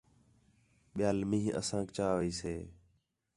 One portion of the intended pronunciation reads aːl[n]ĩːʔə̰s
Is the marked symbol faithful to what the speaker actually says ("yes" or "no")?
no